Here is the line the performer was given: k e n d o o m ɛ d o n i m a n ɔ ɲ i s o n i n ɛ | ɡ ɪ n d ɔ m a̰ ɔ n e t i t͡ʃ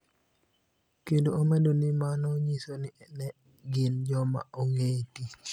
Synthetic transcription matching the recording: k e n d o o m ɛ d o n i m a n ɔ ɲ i s o n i n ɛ | ɡ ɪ n d͡ʒ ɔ m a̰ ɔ ŋ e t i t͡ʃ

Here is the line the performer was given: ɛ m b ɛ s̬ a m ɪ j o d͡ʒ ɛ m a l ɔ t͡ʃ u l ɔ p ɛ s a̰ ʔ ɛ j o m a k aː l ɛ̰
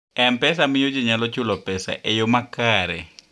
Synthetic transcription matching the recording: ɛ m p ɛ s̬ a m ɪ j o d͡ʒ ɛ ɲ a l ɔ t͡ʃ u l ɔ p ɛ s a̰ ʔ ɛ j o m a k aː ɾ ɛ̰

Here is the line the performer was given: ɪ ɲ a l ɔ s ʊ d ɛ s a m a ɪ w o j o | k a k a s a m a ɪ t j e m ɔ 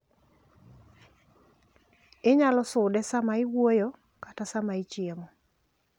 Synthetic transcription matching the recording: ɪ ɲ a l ɔ s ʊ d ɛ s a m a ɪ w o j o | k a t a s a m a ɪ t͡ʃ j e m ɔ

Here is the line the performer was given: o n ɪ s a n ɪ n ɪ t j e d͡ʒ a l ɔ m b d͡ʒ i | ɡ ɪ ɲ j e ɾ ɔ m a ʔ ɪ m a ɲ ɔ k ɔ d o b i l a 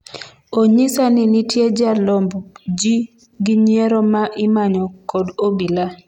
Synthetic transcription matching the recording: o ɲ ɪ s a n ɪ n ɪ t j e d͡ʒ a l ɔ m b d͡ʒ i | ɡ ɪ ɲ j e ɾ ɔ m a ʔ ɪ m a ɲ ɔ k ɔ d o b i l a

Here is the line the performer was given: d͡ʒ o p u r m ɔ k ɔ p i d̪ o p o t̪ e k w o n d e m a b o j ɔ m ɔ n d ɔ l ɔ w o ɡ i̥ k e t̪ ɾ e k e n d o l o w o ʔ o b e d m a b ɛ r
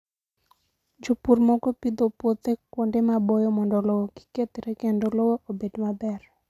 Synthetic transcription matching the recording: d͡ʒ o p u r m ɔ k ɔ p i d̪ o p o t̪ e k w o n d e m a b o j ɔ m ɔ n d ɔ l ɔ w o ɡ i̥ k e t̪ ɾ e k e n d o l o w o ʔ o b e d m a b ɛ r

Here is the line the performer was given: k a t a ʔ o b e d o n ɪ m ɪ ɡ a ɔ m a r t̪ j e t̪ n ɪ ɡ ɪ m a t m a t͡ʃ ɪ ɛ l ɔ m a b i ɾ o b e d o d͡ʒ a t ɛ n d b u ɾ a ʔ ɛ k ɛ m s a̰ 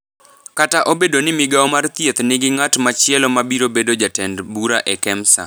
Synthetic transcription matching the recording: k a t a ʔ o b e d o n ɪ m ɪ ɡ a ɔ m a r t̪ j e t̪ n ɪ ɡ ɪ ŋ a t m a t͡ʃ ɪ ɛ l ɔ m a b i ɾ o b e d o d͡ʒ a t ɛ n d b u ɾ a ʔ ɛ k ɛ m s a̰

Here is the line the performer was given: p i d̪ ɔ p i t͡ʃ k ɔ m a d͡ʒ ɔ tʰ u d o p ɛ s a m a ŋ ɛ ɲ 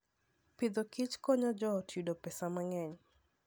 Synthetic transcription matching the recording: p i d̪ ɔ k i t͡ʃ k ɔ ɲ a d͡ʒ ɔ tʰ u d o p ɛ s a m a ŋ ɛ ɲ

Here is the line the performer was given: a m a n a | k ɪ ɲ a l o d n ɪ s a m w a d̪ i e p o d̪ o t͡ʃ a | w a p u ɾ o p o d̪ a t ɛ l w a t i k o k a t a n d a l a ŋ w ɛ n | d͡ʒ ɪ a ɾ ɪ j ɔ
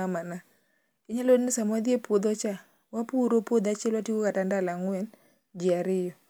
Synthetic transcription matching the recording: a m a n a | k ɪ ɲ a l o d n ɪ s a m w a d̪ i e p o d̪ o t͡ʃ a | w a p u ɾ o p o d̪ a t͡ʃ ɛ l w a t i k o k a t a n d a l a ŋ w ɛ n | d͡ʒ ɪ a ɾ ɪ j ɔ

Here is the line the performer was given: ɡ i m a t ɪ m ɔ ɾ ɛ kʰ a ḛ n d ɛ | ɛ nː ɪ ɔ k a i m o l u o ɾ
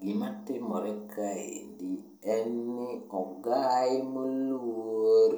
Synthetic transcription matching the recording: ɡ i m a t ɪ m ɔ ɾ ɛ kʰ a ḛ n d i | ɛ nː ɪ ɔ ɡ a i m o l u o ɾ

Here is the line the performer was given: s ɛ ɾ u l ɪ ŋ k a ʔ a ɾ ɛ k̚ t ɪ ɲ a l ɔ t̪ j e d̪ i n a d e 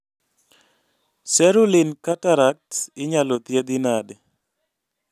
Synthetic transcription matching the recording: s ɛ ɾ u l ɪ n k a t a ɾ a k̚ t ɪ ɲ a l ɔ t̪ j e d̪ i n a d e

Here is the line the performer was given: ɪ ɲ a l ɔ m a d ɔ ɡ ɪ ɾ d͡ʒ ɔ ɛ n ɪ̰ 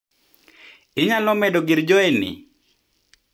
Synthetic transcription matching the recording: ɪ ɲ a l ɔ m ɛ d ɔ ɡ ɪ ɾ d͡ʒ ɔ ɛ n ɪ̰

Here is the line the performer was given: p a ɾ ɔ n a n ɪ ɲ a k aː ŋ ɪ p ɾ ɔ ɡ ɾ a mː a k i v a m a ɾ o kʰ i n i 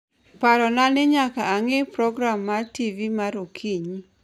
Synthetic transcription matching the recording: p a ɾ ɔ n a n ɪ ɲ a k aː ŋ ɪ p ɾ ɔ ɡ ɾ a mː a t i v i m a ɾ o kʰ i ɲ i

